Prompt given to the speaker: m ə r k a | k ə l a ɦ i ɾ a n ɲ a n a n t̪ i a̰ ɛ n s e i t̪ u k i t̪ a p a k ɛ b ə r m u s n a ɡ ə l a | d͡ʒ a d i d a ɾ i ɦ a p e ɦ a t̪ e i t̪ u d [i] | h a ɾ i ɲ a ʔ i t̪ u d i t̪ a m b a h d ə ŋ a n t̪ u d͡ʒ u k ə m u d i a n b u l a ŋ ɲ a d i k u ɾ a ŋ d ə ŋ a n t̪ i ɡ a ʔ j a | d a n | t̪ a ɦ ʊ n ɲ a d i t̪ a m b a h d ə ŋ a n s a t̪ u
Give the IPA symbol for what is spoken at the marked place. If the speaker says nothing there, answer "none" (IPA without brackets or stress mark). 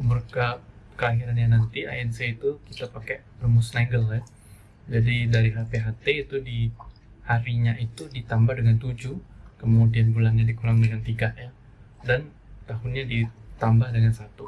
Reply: i